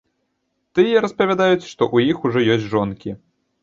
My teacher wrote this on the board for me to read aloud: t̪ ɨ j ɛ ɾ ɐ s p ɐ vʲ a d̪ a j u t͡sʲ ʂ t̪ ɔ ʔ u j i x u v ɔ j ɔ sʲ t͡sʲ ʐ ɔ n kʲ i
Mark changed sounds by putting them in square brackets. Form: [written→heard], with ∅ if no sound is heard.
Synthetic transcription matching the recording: t̪ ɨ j ɛ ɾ ɐ s p ɐ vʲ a d̪ a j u t͡sʲ ʂ t̪ ɔ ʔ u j i x u [v→ʐ] ɔ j ɔ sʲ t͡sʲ ʐ ɔ n kʲ i